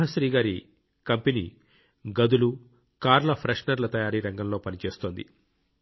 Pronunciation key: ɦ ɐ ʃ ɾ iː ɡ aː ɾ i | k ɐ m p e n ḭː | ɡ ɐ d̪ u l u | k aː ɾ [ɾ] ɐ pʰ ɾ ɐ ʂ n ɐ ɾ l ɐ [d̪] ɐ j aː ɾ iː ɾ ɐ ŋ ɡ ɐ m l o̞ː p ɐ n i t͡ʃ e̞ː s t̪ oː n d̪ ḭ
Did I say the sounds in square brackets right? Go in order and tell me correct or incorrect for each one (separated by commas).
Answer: incorrect, incorrect